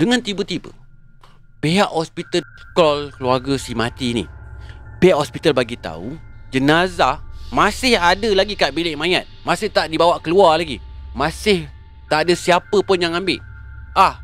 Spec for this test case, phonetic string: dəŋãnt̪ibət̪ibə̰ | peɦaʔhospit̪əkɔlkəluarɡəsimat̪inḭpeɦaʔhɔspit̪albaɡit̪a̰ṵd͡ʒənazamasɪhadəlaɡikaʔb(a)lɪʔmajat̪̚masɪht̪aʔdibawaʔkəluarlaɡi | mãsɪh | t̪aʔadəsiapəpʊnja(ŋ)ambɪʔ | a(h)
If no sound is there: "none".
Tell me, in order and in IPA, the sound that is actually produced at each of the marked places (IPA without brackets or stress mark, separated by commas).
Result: i, ŋ, h